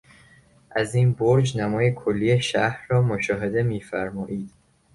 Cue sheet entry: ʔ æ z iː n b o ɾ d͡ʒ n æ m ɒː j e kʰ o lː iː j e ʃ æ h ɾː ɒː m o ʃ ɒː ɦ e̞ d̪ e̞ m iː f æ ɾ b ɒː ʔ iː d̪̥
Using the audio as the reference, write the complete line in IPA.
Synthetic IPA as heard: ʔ æ z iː n b o ɾ d͡ʒ n æ m ɒː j e kʰ o lː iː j e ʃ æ h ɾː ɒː m o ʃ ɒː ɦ e̞ d̪ e̞ m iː f æ ɾ m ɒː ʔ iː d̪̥